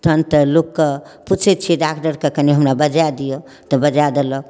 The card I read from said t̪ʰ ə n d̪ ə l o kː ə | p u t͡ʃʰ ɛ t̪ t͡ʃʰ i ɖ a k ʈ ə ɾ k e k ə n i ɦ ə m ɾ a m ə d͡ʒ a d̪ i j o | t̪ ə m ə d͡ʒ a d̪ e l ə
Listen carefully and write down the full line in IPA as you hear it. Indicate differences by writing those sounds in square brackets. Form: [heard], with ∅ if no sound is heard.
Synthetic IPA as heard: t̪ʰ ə n [t̪] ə l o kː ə | p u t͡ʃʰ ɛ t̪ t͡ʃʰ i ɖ a k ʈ ə ɾ k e k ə n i ɦ ə m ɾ a [b] ə d͡ʒ a d̪ i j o | t̪ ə [b] ə d͡ʒ a d̪ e l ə